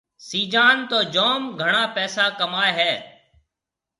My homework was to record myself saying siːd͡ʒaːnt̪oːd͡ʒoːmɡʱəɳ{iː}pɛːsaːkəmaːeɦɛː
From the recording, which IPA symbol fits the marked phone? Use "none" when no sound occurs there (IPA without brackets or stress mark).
aː